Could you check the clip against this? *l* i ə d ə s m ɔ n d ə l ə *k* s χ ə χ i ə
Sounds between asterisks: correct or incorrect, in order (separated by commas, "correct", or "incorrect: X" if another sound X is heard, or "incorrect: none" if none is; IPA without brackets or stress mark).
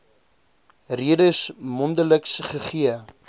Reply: incorrect: r, correct